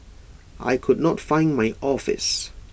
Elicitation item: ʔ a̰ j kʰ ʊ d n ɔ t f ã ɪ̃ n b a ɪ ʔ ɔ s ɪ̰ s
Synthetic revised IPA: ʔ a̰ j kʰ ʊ d n ɔ t f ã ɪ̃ n m a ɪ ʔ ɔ f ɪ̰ s